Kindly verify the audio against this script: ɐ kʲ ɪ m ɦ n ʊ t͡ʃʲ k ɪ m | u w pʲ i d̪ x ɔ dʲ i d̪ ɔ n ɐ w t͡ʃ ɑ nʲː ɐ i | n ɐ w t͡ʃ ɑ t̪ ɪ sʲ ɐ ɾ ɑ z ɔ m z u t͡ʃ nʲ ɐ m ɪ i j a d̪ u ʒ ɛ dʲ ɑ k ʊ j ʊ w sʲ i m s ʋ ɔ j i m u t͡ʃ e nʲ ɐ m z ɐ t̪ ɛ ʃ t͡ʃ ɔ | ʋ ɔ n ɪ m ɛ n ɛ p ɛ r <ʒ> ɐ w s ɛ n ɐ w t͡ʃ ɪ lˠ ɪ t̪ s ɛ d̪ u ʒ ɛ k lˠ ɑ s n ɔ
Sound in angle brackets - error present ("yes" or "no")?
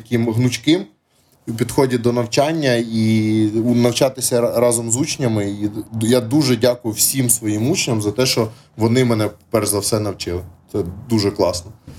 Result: yes